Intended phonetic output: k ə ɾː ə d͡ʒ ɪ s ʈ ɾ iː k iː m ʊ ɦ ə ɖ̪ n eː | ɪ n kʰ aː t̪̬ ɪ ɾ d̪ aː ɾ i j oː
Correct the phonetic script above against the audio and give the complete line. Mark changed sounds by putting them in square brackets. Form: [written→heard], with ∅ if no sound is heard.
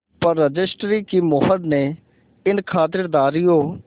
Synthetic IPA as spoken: [k→p] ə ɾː ə d͡ʒ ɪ s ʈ ɾ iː k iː m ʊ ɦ ə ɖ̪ n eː | ɪ n kʰ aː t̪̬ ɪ ɾ d̪ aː ɾ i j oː